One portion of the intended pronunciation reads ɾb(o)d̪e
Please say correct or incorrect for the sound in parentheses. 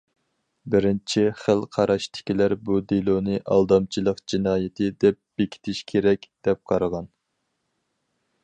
incorrect